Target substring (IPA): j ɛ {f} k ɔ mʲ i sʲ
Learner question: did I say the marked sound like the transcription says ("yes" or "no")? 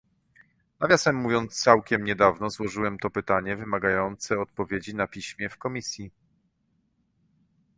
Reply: yes